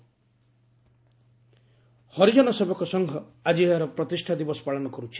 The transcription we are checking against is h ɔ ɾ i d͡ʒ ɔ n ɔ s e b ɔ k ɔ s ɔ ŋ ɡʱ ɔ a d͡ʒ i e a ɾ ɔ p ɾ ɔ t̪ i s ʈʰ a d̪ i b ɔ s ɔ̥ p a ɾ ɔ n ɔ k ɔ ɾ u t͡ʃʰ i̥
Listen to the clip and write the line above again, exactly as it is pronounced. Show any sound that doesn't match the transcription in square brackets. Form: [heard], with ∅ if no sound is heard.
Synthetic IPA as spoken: h ɔ ɾ i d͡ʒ ɔ n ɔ s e b ɔ k ɔ s ɔ ŋ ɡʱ ɔ a d͡ʒ i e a ɾ ɔ p ɾ ɔ t̪ i s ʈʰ a d̪ i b ɔ s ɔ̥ p a [ɭ] ɔ n ɔ k ɔ ɾ u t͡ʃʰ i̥

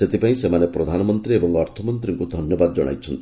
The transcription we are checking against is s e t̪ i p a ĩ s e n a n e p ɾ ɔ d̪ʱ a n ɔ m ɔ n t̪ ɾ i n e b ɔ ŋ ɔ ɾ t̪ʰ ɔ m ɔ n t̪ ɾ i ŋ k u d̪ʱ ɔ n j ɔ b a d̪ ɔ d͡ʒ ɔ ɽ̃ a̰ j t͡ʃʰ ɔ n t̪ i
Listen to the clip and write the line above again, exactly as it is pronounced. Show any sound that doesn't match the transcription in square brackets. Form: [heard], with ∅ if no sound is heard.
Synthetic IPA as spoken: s e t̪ i p a ĩ s e [m] a n e p ɾ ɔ d̪ʱ a n ɔ m ɔ n t̪ ɾ i [∅] e b ɔ ŋ ɔ ɾ t̪ʰ ɔ m ɔ n t̪ ɾ i ŋ k u d̪ʱ ɔ n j ɔ b a d̪ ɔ d͡ʒ ɔ ɽ̃ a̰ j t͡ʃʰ ɔ n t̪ i

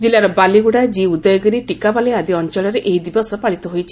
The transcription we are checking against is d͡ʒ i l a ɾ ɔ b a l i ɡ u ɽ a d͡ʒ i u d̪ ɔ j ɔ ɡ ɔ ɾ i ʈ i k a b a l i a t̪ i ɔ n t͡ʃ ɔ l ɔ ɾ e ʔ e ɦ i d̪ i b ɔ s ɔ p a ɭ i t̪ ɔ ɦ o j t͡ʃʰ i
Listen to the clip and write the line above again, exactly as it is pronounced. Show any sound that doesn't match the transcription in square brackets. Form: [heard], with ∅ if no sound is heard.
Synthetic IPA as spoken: d͡ʒ i l a ɾ ɔ b a l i ɡ u ɽ a d͡ʒ i u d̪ ɔ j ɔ ɡ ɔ ɾ i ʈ i k a b a l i a [d̪] i ɔ n t͡ʃ ɔ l ɔ ɾ e ʔ e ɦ i d̪ i b ɔ s ɔ p a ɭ i t̪ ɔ ɦ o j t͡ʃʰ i

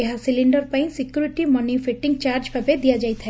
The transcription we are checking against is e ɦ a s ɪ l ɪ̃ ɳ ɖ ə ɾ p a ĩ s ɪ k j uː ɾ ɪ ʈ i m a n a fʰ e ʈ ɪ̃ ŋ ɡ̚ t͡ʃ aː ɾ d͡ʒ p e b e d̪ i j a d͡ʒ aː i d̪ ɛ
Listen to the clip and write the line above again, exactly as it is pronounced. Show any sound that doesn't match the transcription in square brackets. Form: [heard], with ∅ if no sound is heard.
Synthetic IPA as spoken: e ɦ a s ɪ l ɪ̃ ɳ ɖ ə ɾ p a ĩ s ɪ k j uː ɾ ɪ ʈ i m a n [i] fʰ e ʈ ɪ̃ ŋ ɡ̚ t͡ʃ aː ɾ d͡ʒ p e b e d̪ i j a d͡ʒ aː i [t̪] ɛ

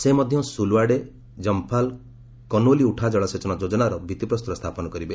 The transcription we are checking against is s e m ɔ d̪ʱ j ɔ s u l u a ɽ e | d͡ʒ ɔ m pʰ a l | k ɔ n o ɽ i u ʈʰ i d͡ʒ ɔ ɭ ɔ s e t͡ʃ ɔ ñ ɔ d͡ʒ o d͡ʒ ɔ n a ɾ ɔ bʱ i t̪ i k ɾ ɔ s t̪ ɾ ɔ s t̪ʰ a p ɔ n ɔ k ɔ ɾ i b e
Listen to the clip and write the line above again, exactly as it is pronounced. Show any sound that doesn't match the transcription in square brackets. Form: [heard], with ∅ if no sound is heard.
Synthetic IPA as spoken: s e m ɔ d̪ʱ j ɔ s u l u a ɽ e | d͡ʒ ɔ m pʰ a l | k ɔ n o [l] i u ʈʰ [a] d͡ʒ ɔ ɭ ɔ s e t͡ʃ ɔ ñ ɔ d͡ʒ o d͡ʒ ɔ n a ɾ ɔ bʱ i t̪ i [p] ɾ ɔ s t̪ ɾ ɔ s t̪ʰ a p ɔ n ɔ k ɔ ɾ i b e

